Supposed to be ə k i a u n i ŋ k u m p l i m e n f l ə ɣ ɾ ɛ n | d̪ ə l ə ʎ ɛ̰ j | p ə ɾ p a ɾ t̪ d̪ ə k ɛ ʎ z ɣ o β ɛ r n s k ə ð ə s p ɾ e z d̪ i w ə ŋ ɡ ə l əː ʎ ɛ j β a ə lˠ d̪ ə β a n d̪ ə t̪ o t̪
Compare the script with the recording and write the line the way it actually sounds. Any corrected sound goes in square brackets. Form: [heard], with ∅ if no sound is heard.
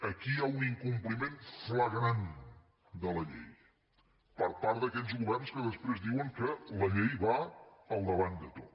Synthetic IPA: ə k i a u n i ŋ k u m p l i m e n f l ə ɣ ɾ [a] n | d̪ ə l ə ʎ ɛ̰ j | p ə ɾ p a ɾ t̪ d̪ ə k ɛ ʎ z ɣ [u] β ɛ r n s k ə ð ə s p ɾ e z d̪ i w ə ŋ [k] ə l [ə] ʎ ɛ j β a ə lˠ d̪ ə β a n d̪ ə t̪ o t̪